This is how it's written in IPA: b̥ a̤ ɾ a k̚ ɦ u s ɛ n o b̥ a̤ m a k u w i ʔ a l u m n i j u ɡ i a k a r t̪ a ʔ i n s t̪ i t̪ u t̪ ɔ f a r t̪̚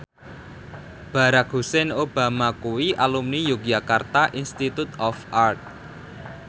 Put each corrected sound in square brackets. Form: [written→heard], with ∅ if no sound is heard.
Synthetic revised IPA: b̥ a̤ ɾ a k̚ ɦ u s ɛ n o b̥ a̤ m a k u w i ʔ a l u m n i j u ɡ [i→j] a k a r t̪ a ʔ i n s t̪ i t̪ u t̪ ɔ f a r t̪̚